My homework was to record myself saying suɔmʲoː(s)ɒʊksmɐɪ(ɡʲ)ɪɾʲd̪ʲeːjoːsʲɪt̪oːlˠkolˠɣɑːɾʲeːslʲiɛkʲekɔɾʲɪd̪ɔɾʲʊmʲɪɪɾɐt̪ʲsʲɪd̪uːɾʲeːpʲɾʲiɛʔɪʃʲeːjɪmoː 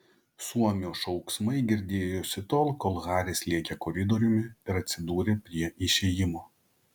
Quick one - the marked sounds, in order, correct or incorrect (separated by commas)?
incorrect, correct